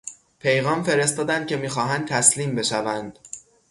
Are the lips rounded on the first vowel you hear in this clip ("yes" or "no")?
no